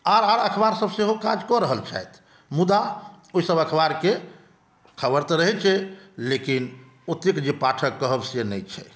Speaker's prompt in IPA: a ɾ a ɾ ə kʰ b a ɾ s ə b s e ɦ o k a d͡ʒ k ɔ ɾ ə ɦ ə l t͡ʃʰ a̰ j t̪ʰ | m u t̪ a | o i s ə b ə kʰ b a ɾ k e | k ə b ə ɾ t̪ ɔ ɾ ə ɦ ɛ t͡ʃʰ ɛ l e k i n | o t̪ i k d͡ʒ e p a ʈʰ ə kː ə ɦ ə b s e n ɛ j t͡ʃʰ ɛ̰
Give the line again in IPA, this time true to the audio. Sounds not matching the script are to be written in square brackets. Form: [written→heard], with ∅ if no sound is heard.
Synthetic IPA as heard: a ɾ a ɾ ə kʰ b a ɾ s ə b s e ɦ o k a d͡ʒ k ɔ ɾ ə ɦ ə l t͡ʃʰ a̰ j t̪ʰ | m u [t̪→d̪] a | o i s ə b ə kʰ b a ɾ k e | [k→kʰ] ə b ə ɾ t̪ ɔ ɾ ə ɦ ɛ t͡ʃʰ ɛ l e k i n | o t̪ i k d͡ʒ e p a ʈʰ ə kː ə ɦ ə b s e n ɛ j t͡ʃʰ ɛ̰